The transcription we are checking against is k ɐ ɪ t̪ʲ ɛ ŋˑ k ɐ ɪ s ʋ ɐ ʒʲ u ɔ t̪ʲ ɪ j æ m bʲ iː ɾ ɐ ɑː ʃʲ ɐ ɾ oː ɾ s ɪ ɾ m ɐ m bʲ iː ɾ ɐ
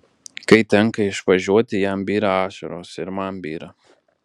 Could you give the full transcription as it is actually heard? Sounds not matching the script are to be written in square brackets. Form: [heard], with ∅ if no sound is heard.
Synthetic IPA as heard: k ɐ ɪ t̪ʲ ɛ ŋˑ k ɐ ɪ [ʃ] ʋ ɐ ʒʲ u ɔ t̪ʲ ɪ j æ m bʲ iː ɾ ɐ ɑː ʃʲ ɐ ɾ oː [∅] s ɪ ɾ m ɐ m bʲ iː ɾ ɐ